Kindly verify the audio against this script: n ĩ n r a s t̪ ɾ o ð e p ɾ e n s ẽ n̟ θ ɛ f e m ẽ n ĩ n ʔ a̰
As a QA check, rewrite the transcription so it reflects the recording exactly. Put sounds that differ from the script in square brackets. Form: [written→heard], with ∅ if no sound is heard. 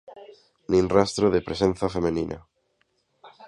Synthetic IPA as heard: n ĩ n r a s t̪ ɾ o ð e p ɾ e [n→∅] s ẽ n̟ θ [ɛ→a] f e m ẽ n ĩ n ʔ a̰